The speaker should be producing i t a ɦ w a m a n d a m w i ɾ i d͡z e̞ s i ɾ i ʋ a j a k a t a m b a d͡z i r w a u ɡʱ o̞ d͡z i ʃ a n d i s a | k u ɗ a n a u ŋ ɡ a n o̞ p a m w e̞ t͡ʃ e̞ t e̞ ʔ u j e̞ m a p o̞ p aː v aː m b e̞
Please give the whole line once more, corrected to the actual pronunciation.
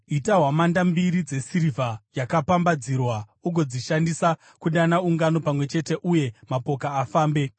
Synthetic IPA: i t a ɦ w a m a n d a m b i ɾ i d͡z e̞ s i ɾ i v a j a k a p a m b a d͡z i r w a u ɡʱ o̞ d͡z i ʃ a n d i s a | k u ɗ a n a u ŋ ɡ a n o̞ p a m w e̞ t͡ʃ e̞ t e̞ ʔ u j e̞ m a p o̞ k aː f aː m b e̞

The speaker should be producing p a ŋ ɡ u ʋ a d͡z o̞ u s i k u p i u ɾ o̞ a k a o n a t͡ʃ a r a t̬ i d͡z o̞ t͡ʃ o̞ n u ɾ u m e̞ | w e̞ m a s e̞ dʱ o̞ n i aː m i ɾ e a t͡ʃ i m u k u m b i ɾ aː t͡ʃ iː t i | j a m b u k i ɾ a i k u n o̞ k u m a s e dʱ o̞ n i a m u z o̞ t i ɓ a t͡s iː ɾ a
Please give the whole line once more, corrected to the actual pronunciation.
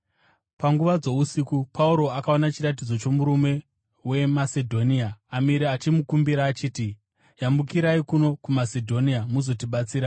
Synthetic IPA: p a ŋ ɡ u ʋ a d͡z o̞ u s i k u p a u ɾ o̞ a k a o n a t͡ʃ i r a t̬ i d͡z o̞ t͡ʃ o̞ m u ɾ u m e̞ | w e̞ m a s e̞ dʱ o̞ n i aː m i ɾ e a t͡ʃ i m u k u m b i ɾ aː t͡ʃ iː t i | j a m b u k i ɾ a i k u n o̞ k u m a s e dʱ o̞ n i a m u z o̞ t i ɓ a t͡s iː ɾ a

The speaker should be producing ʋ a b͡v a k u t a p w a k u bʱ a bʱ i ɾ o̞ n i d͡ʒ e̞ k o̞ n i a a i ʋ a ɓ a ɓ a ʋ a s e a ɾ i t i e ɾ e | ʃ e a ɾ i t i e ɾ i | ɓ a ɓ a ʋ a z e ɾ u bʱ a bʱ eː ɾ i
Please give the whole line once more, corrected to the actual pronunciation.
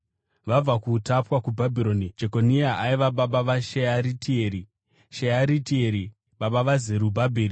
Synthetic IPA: ʋ a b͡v a k u t a p w a k u bʱ a bʱ i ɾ o̞ n i d͡ʒ e̞ k o̞ n i a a i ʋ a ɓ a ɓ a ʋ a ʃ e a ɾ i t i e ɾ i | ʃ e a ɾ i t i e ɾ i | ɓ a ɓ a ʋ a z e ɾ u bʱ a bʱ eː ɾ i

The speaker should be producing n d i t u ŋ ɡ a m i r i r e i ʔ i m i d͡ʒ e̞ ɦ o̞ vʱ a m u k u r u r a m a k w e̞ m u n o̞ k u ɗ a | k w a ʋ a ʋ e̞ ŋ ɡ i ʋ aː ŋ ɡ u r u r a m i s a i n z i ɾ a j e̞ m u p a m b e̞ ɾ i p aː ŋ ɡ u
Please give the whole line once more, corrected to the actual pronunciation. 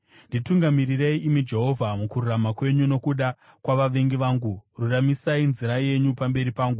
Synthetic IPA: n d i t u ŋ ɡ a m i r i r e i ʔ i m i d͡ʒ e̞ ɦ o̞ vʱ a m u k u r u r a m a k w e̞ ɲ u n o̞ k u ɗ a | k w a ʋ a ʋ e̞ ŋ ɡ i ʋ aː ŋ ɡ u r u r a m i s a i n z i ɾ a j e̞ ɲ u p a m b e̞ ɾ i p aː ŋ ɡ u

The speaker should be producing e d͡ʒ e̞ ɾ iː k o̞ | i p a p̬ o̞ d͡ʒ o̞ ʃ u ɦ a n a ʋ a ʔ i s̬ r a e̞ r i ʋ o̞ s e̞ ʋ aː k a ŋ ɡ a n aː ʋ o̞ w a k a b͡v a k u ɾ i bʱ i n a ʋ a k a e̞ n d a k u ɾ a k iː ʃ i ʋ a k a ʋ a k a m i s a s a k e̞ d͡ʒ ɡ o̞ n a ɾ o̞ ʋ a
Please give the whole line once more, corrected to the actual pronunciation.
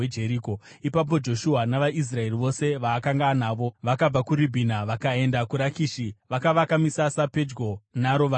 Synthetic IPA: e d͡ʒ e̞ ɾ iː k o̞ | i p a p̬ o̞ d͡ʒ o̞ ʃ u ɦ a n a ʋ a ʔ i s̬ r a e̞ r i ʋ o̞ s e̞ ʋ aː k a ŋ ɡ a n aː ʋ o̞ ʋ a k a b͡v a k u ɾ i bʱ i n a ʋ a k a e̞ n d a k u ɾ a k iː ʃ i ʋ a k a ʋ a k a m i s a s a p e̞ d͡ʒ ɡ o̞ n a ɾ o̞ ʋ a

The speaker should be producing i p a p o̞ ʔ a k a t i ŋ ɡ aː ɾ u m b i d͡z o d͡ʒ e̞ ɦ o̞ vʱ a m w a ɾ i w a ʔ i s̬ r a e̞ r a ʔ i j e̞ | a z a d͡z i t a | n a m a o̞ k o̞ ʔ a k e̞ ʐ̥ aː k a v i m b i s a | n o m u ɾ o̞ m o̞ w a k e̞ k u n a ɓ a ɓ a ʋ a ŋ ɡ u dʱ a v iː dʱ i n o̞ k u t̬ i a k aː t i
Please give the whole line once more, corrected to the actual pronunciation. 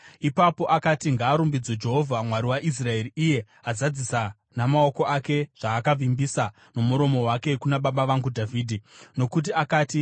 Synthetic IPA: i p a p o̞ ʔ a k a t i ŋ ɡ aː ɾ u m b i d͡z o d͡ʒ e̞ ɦ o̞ vʱ a m w a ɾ i w a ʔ i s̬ r a e̞ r i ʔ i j e̞ | a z a d͡z i s a | n a m a o̞ k o̞ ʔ a k e̞ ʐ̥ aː k a v i m b i s a | n o m u ɾ o̞ m o̞ w a k e̞ k u n a ɓ a ɓ a ʋ a ŋ ɡ u dʱ a v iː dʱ i n o̞ k u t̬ i a k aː t i

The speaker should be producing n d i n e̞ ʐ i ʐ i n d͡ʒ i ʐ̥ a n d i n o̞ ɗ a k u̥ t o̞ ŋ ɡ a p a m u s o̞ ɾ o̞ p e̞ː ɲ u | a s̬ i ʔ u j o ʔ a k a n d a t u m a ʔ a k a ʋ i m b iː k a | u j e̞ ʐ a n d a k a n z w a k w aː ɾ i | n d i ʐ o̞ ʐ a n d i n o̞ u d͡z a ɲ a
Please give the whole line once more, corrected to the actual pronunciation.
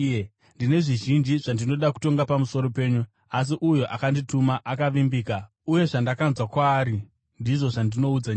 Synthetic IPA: n d i n e̞ ʐ i ʒ i n d͡ʒ i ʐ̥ a n d i n o̞ ɗ a k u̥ t o̞ ŋ ɡ a p a m u s o̞ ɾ o̞ p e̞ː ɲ u | a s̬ i ʔ u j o ʔ a k a n d i t u m a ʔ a k a ʋ i m b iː k a | u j e̞ ʐ a n d a k a n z w a k w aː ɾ i | n d i ʐ o̞ ʐ a n d i n o̞ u d͡z a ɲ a

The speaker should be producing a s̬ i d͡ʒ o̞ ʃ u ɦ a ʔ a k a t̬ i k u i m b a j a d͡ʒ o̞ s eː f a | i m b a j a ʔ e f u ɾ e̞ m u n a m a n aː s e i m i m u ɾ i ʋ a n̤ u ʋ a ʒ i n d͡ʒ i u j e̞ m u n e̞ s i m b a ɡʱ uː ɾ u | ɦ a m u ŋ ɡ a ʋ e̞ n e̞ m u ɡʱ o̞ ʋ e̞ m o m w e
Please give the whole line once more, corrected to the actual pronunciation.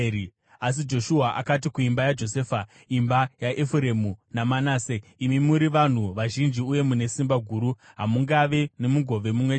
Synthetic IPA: a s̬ i d͡ʒ o̞ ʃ u ɦ a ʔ a k a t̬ i k u i m b a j a d͡ʒ o̞ s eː f a | i m b a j a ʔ e f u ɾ e̞ m u n a m a n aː s e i m i m u ɾ i ʋ a n̤ u ʋ a ʒ i n d͡ʒ i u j e̞ m u n e̞ s i m b a ɡʱ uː ɾ u | ɦ a m u ŋ ɡ a ʋ e̞ n e̞ m u ɡʱ o̞ ʋ e̞ m u m w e

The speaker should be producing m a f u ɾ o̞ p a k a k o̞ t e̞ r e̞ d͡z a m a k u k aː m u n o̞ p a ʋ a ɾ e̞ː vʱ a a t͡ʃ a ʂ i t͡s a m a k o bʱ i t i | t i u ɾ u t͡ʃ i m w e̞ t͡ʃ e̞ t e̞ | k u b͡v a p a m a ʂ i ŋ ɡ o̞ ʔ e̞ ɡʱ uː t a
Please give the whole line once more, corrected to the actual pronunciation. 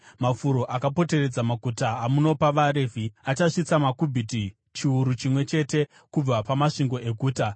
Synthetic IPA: m a f u ɾ o̞ ʔ a k a p o̞ t e̞ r e̞ d͡z a m a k u t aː m u n o̞ p a ʋ a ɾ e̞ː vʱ i a t͡ʃ a ʂ i t͡s a m a k u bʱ i t i | t͡ʃ i u ɾ u t͡ʃ i m w e̞ t͡ʃ e̞ t e̞ | k u b͡v a p a m a ʂ i ŋ ɡ o̞ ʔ e̞ ɡʱ uː t a

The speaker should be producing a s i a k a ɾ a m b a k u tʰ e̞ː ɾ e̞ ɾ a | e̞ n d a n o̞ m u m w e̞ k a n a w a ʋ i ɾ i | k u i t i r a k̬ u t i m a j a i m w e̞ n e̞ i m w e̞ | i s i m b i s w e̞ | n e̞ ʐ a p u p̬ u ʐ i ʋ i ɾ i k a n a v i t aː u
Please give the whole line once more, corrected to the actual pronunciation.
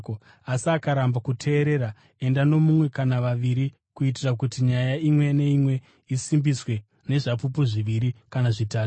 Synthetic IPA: a s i a k a ɾ a m b a k u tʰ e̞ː ɾ e̞ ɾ a | e̞ n d a n o̞ m u m w e̞ k a n a ʋ a ʋ i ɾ i | k u i t i r a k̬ u t i ɲ a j a i m w e̞ n e̞ i m w e̞ | i s i m b i s w e̞ | n e̞ ʐ a p u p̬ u ʐ i ʋ i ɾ i k a n a ʐ i t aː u

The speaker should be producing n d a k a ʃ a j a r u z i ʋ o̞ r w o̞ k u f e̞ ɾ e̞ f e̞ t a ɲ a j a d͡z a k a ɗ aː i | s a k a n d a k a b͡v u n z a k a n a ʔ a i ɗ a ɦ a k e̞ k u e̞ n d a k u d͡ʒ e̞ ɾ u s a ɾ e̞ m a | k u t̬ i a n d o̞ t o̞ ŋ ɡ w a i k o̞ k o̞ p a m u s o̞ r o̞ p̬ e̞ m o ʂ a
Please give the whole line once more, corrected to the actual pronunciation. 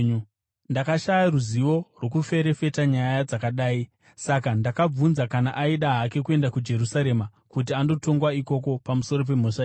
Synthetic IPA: n d a k a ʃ a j a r u z i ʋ o̞ r w o̞ k u f e̞ ɾ e̞ f e̞ t a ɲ a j a d͡z a k a ɗ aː i | s a k a n d a k a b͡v u n z a k a n a ʔ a i ɗ a ɦ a k e̞ k u e̞ n d a k u d͡ʒ e̞ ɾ u s a ɾ e̞ m a | k u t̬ i a n d o̞ t o̞ ŋ ɡ w a i k o̞ k o̞ p a m u s o̞ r o̞ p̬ e̞ m o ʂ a

